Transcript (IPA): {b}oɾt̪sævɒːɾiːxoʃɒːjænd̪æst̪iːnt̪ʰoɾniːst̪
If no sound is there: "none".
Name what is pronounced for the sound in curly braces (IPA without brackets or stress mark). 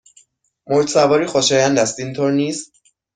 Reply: m